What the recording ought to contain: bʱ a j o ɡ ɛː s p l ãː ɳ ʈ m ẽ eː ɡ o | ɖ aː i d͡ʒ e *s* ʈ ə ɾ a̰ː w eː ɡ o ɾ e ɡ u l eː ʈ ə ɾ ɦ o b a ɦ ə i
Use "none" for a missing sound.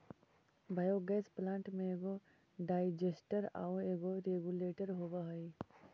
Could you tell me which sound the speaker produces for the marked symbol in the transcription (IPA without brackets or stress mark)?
s